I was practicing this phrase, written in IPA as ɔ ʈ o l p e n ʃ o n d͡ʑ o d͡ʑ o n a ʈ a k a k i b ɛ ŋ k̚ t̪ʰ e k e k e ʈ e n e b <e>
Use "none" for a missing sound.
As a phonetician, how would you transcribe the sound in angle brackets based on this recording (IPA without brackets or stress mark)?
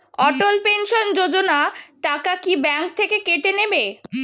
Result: e